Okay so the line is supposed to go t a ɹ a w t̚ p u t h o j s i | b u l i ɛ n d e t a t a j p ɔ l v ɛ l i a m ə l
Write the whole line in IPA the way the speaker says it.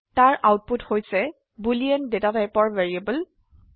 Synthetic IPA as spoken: t a ɹ a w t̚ p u t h o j s ɛ | b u l i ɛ n d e t a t a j p ɔ ɹ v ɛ ɹ i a b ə l